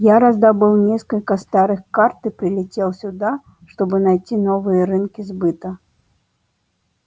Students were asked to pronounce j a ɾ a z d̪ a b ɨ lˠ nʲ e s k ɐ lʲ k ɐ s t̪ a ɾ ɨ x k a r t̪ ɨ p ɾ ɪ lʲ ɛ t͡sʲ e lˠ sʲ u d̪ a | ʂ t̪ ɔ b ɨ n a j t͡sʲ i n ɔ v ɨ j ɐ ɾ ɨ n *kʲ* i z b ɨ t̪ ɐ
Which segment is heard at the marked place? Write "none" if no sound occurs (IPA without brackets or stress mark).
kʲ